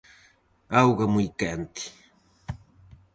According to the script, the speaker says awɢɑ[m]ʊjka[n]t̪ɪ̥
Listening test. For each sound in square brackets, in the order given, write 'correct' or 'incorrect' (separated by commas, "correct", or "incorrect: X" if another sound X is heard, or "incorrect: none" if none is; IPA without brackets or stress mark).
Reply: correct, correct